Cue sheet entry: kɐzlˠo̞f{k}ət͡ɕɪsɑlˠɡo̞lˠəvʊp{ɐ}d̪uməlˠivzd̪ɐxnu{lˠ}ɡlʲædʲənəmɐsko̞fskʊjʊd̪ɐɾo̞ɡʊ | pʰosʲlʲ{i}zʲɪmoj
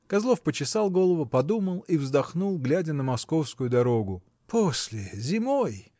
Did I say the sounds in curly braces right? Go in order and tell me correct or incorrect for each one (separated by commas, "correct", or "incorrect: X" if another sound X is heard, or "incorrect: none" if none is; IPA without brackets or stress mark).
incorrect: p, correct, correct, incorrect: ɪ